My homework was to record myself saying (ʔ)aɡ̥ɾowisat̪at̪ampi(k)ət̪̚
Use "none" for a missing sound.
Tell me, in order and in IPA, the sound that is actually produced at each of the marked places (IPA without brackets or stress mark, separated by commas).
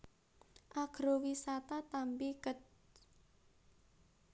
ʔ, k